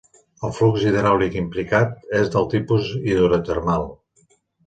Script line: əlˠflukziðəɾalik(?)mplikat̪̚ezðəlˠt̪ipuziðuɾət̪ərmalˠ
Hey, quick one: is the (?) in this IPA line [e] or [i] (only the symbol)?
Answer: i